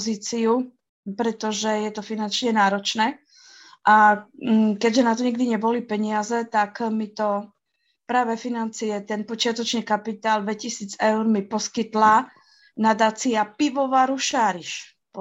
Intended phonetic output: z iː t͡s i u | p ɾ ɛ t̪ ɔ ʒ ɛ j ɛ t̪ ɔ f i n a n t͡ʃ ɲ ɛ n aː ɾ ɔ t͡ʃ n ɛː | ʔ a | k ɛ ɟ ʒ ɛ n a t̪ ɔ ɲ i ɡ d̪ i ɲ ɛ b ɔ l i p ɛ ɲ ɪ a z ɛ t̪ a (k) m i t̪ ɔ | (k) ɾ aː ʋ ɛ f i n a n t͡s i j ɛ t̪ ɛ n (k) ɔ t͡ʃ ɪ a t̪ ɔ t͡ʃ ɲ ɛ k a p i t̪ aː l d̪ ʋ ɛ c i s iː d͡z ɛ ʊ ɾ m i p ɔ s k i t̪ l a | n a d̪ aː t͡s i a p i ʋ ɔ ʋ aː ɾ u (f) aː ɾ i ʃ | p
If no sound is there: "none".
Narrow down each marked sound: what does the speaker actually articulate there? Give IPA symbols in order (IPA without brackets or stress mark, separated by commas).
k, p, p, ʃ